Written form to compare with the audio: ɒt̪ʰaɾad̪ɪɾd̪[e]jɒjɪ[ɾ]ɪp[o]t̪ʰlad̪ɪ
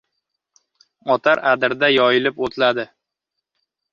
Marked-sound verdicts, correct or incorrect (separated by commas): incorrect, incorrect, correct